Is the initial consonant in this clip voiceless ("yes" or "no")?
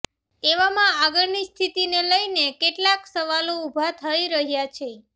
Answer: no